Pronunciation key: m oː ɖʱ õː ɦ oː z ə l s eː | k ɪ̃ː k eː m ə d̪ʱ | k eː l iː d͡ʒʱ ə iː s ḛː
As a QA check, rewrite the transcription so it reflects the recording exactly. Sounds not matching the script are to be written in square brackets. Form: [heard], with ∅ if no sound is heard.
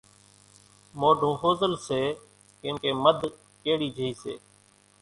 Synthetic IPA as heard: m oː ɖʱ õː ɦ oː z ə l s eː | k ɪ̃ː k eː m ə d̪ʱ | k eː [ɽ] iː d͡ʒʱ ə iː s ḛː